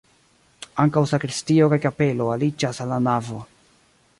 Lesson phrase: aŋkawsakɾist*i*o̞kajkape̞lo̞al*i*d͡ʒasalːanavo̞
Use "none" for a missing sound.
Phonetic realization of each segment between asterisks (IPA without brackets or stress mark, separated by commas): i, i